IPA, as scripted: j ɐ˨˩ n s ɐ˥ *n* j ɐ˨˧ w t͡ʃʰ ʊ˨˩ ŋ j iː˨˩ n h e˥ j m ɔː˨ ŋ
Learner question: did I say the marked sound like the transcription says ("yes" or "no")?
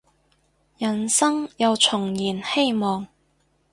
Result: no